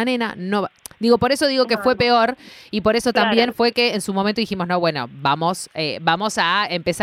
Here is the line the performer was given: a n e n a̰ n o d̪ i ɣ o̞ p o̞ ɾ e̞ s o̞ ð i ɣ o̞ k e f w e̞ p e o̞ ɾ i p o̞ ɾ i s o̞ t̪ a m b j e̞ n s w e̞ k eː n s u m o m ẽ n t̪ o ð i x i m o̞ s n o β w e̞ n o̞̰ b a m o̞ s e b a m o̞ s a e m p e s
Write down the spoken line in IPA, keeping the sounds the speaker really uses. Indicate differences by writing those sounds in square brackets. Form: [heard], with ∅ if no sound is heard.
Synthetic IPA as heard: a n e n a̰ n o d̪ i ɣ o̞ p o̞ ɾ e̞ s o̞ ð i ɣ o̞ k e f w e̞ p e o̞ ɾ i p o̞ ɾ [e] s o̞ t̪ a m b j e̞ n [f] w e̞ k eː n s u m o m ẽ n t̪ o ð i x i m o̞ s n o β w e̞ n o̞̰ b a m o̞ s e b a m o̞ s a e m p e s